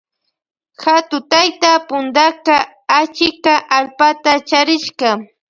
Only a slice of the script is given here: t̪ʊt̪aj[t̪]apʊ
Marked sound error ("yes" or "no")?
no